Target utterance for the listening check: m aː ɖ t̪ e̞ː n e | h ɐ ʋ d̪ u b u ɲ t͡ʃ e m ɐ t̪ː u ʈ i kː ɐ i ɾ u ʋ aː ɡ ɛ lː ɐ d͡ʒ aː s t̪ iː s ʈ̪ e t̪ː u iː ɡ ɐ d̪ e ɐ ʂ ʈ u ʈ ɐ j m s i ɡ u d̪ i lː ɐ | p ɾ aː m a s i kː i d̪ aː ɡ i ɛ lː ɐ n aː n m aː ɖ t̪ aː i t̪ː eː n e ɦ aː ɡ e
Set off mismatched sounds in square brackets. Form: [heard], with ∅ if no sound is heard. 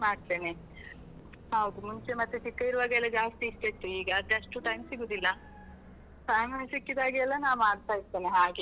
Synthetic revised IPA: m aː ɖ t̪ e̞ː n e | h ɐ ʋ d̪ u [m] u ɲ t͡ʃ e m ɐ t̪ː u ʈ i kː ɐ i ɾ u ʋ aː ɡ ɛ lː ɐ d͡ʒ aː s t̪ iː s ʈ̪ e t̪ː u iː ɡ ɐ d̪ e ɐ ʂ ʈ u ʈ ɐ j m s i ɡ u d̪ i lː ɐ | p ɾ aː m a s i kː i d̪ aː ɡ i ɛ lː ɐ n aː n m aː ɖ t̪ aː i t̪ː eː n e ɦ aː ɡ e